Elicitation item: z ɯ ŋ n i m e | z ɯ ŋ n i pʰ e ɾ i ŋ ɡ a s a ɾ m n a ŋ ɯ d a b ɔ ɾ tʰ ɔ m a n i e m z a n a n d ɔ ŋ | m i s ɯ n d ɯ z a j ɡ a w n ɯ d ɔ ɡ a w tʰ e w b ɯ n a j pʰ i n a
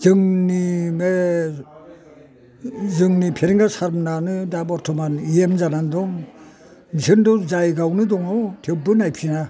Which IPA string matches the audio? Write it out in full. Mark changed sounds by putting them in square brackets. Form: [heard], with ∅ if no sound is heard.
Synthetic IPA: z ɯ ŋ n i m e | z ɯ ŋ n i pʰ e ɾ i ŋ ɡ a s a ɾ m n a [n] ɯ d a b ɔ ɾ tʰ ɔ m a n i e m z a n a n d ɔ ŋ | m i s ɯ n d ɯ z a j ɡ a w n ɯ d ɔ [ŋ] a w tʰ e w b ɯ n a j pʰ i n a